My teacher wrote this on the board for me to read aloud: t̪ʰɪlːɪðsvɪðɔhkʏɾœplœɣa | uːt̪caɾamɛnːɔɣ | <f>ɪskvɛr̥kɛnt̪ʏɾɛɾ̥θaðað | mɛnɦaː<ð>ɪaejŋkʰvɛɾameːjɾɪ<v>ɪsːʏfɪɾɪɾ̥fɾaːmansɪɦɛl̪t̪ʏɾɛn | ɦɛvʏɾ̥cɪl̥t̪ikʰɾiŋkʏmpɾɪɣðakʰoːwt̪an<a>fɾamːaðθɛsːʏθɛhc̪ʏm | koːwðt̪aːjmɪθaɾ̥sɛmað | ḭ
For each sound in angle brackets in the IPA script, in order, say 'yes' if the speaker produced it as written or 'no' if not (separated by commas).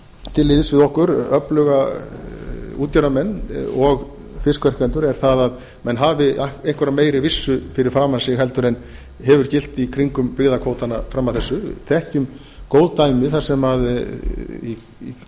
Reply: yes, no, yes, yes